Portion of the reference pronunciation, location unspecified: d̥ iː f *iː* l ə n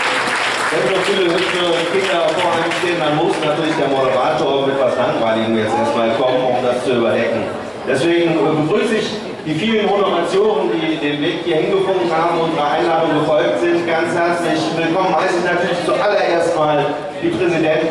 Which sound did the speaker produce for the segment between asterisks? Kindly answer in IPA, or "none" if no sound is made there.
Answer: iː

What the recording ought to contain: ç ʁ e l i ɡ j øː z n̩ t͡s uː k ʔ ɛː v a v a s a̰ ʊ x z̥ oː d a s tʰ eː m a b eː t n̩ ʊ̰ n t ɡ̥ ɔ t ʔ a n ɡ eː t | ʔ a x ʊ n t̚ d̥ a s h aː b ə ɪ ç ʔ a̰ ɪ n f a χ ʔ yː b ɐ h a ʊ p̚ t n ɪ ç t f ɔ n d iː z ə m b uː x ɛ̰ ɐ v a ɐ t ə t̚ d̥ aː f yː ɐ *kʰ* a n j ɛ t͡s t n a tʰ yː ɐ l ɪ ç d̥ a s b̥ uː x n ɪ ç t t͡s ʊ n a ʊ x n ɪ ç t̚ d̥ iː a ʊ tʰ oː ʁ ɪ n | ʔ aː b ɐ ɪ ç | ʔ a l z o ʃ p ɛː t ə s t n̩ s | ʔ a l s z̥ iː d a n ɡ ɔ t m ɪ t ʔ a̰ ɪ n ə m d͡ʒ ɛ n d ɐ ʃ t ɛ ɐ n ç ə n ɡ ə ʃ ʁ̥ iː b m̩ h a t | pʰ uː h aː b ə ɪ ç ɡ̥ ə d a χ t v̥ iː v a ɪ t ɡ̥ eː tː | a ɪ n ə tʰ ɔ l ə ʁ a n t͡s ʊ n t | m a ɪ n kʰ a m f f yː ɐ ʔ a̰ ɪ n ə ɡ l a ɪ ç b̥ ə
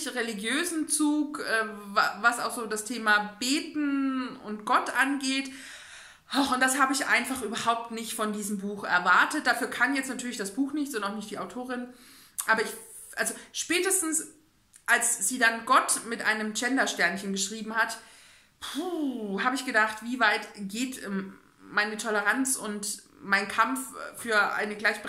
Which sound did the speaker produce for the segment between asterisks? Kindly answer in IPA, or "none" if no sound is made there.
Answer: kʰ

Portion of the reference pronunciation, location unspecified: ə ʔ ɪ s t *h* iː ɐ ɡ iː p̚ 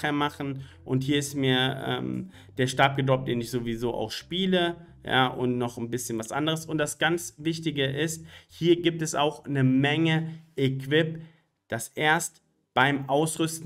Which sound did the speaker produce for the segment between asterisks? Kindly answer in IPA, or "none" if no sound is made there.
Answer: h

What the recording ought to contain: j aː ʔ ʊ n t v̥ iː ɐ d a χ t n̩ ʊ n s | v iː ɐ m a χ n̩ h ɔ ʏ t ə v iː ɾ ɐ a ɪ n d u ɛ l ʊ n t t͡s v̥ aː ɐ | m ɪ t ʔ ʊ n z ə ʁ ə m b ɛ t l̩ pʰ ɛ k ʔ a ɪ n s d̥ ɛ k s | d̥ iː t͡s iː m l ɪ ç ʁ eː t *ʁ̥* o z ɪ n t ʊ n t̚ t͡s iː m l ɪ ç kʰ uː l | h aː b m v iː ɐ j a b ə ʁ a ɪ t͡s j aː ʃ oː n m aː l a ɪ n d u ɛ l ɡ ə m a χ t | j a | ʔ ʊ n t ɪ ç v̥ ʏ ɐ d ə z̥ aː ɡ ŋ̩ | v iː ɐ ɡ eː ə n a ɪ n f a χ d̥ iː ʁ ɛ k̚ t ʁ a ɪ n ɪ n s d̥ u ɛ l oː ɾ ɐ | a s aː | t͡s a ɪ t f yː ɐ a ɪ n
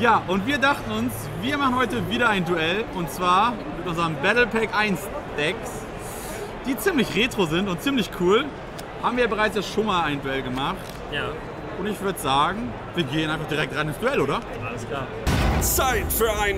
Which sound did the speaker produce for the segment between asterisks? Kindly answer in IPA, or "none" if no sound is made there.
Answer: ʁ̥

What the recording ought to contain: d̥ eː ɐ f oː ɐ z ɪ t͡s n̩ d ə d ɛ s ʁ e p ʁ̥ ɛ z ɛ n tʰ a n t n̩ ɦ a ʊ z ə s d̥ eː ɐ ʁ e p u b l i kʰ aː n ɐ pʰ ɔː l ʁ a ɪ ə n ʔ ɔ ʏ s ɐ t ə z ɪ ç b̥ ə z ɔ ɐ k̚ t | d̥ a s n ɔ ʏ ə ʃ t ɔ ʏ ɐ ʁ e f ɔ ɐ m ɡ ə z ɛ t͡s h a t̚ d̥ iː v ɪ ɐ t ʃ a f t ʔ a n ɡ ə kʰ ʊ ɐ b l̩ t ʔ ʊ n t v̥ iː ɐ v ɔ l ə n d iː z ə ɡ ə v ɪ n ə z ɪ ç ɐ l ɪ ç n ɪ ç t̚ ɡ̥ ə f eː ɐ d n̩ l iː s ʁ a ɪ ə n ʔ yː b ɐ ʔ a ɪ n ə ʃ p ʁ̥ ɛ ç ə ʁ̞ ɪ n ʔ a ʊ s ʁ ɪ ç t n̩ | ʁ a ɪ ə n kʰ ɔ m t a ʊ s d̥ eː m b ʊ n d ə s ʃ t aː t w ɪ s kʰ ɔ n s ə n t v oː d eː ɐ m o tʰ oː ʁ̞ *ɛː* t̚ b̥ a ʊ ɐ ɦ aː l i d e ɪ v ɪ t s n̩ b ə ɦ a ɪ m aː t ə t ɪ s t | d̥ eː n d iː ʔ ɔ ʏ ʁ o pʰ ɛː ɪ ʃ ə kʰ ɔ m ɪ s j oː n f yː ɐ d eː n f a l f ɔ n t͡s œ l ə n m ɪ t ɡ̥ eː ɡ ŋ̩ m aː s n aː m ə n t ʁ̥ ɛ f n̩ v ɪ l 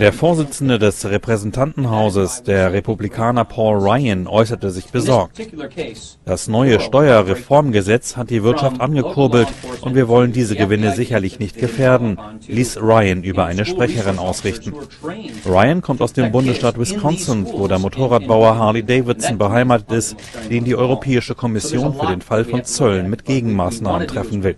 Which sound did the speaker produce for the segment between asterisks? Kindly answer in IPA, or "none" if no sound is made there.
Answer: aː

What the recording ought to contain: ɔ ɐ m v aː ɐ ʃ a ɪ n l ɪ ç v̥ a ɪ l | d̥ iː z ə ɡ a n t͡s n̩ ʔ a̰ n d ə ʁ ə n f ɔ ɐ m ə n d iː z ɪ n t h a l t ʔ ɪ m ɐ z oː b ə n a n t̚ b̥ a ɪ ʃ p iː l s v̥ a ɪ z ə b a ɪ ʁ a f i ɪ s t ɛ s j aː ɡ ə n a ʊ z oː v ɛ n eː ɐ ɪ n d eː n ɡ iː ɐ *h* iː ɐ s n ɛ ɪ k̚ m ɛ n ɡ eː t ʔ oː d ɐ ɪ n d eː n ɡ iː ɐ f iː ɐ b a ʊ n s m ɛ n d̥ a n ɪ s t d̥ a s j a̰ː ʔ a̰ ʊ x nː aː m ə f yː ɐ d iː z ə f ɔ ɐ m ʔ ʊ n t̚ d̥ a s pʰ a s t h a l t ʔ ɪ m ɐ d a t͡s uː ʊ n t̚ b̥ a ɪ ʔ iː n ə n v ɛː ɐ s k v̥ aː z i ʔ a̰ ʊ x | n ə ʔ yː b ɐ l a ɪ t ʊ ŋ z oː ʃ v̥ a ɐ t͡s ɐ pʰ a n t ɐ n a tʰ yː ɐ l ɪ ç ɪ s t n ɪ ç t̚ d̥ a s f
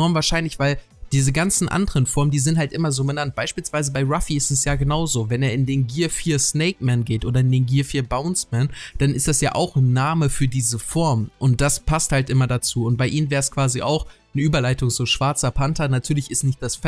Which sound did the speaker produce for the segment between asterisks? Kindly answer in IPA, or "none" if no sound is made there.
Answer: f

